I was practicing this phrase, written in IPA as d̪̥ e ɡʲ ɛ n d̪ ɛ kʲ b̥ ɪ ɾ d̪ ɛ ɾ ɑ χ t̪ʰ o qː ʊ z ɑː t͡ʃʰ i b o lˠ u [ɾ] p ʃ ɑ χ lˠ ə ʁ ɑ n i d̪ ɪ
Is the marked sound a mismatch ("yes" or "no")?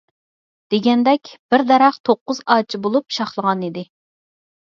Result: yes